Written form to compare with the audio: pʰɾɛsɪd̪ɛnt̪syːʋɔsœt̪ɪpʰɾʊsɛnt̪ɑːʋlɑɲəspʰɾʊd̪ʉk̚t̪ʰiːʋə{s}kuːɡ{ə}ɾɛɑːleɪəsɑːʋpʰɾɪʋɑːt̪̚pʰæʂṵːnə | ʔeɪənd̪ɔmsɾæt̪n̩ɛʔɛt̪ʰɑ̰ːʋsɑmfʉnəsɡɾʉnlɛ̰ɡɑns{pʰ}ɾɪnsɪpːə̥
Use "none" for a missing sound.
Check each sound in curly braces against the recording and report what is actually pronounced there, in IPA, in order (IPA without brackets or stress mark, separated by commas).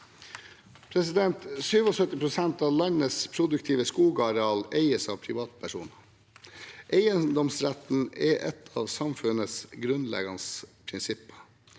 s, ɑ, pʰ